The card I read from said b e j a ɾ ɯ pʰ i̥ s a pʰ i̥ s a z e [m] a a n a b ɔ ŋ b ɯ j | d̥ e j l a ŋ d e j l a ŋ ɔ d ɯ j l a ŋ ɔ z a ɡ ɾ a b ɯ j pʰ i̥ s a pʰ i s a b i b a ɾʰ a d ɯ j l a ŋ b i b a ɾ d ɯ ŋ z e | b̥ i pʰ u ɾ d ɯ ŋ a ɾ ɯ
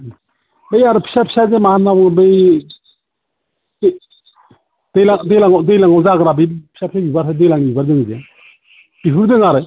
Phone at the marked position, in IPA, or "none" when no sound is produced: m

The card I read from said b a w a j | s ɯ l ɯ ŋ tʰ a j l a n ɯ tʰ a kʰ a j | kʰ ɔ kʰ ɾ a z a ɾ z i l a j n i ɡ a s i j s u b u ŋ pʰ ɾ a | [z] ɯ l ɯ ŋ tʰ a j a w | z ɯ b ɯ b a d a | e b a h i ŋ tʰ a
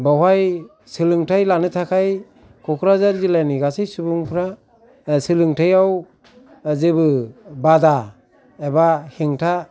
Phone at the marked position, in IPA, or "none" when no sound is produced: s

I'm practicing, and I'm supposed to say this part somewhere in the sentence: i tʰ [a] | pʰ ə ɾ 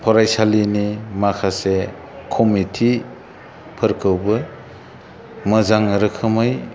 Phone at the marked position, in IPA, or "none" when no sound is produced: i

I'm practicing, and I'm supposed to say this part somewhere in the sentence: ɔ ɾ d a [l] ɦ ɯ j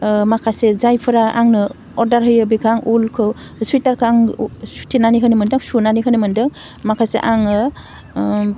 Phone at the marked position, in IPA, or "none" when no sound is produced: ɾ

